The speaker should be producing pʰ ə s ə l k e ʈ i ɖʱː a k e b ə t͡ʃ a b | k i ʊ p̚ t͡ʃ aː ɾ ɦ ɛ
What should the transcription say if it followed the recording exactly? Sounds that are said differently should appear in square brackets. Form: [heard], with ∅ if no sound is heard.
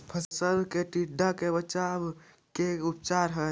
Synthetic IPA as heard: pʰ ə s ə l k e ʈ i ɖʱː a k e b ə t͡ʃ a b | k [e] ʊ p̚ t͡ʃ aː ɾ ɦ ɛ